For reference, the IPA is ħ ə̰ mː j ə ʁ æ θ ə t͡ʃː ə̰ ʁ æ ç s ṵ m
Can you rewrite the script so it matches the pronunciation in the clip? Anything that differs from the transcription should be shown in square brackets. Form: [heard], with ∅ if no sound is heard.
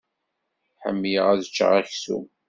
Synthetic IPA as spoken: ħ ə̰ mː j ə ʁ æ [ð] ə t͡ʃː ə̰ ʁ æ ç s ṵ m